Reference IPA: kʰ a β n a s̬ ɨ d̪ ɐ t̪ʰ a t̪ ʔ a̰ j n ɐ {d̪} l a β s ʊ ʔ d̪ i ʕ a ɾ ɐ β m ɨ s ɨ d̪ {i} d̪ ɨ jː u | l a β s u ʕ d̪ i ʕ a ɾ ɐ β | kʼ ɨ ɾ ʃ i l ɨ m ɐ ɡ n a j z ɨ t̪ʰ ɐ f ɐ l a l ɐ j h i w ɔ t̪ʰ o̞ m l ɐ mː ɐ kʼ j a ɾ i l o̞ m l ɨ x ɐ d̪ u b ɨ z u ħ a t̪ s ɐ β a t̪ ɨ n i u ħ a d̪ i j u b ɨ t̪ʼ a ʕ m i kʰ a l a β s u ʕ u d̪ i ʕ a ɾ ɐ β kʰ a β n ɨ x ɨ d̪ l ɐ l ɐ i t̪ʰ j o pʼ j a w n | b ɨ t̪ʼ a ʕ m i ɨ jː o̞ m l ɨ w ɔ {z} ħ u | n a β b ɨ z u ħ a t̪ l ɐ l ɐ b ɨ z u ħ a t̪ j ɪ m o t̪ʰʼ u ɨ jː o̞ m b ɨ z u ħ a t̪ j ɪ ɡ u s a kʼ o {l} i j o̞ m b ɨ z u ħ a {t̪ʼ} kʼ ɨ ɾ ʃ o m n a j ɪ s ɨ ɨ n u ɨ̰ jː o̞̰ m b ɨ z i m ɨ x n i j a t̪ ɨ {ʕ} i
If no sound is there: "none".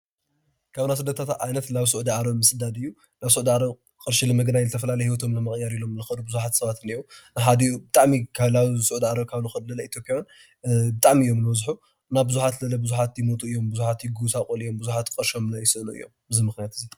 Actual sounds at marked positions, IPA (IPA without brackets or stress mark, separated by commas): t̪, a, z, l, t̪, z